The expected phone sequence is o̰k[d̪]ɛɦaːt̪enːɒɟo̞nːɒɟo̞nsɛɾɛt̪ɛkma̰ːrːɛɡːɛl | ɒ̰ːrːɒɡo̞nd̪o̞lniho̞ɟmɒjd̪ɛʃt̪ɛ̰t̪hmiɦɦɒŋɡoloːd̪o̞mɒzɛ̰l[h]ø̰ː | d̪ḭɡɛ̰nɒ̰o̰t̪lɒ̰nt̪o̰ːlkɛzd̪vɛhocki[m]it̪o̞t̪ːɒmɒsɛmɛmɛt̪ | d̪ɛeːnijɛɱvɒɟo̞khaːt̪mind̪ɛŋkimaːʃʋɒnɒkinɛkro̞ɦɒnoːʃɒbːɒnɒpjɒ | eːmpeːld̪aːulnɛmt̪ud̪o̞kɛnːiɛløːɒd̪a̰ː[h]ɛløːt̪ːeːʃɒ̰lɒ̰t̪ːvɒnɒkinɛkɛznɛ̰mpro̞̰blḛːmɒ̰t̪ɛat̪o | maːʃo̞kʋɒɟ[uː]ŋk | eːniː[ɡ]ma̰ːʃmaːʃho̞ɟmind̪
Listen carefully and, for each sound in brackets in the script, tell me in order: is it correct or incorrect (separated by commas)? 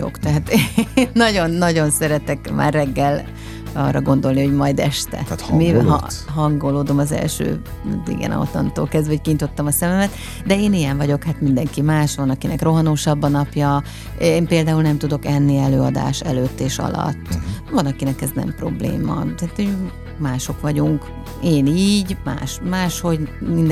incorrect, incorrect, incorrect, incorrect, incorrect, incorrect